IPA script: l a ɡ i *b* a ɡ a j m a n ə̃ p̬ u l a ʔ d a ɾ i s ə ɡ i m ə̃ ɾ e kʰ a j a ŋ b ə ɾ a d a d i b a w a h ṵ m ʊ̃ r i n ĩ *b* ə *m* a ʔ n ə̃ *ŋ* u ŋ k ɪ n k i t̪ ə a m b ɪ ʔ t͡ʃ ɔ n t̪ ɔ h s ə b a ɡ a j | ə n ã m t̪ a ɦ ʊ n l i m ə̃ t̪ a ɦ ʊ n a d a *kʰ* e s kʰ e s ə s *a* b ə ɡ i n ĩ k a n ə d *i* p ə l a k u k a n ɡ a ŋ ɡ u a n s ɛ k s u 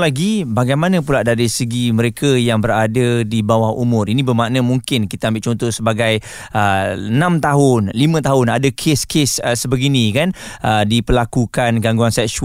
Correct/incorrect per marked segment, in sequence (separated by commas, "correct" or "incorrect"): correct, correct, correct, incorrect, correct, incorrect, correct